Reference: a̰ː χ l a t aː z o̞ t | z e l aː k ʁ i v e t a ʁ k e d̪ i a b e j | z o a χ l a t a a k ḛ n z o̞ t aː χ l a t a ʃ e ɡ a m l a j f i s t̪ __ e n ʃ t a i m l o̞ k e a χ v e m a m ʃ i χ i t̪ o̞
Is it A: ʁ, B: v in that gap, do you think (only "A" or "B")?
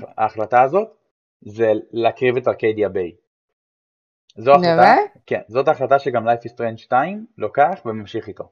A